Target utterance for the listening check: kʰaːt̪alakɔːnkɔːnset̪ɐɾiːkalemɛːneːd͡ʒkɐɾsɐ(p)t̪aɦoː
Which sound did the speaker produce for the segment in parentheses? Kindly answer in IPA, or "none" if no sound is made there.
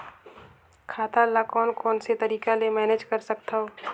k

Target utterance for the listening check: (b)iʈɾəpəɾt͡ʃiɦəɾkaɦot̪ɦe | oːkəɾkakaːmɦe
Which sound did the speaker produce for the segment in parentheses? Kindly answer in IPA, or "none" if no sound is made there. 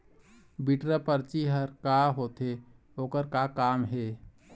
b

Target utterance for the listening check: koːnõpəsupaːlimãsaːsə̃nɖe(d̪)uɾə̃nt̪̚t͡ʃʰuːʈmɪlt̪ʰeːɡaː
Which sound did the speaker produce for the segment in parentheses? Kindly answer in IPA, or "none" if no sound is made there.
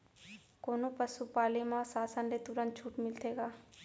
t̪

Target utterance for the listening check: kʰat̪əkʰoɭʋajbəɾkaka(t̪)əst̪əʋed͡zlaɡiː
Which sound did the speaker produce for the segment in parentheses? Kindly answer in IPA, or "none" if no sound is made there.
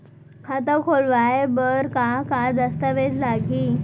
d̪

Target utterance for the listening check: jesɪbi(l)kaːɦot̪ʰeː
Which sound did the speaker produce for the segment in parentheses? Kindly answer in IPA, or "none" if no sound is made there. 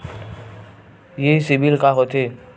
l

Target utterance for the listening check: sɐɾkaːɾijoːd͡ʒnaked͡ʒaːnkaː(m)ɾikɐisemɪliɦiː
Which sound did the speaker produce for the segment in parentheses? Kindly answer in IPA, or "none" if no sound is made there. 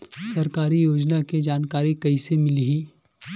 none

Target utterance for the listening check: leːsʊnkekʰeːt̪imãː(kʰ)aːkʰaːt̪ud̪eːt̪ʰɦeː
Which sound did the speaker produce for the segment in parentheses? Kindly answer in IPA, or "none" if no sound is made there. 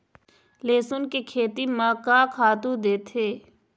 k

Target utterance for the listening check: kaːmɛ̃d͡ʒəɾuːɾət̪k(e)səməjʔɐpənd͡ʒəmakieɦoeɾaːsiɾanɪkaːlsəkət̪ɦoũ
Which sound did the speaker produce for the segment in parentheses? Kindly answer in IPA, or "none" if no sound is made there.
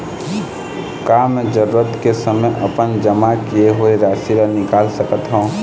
e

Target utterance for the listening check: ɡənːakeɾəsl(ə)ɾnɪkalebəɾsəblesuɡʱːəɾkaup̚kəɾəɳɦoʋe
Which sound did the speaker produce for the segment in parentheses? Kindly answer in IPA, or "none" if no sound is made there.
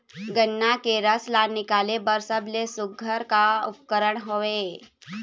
a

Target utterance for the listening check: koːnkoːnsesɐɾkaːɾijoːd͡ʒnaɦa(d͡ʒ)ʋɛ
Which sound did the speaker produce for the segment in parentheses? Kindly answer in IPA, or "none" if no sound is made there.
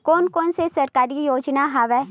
none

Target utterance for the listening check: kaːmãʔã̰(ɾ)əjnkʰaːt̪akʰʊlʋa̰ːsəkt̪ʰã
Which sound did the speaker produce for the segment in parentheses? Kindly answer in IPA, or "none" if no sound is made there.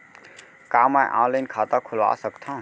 l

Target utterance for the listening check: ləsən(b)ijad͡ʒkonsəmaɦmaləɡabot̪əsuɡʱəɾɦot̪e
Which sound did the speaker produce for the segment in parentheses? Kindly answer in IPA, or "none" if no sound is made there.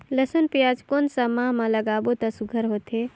p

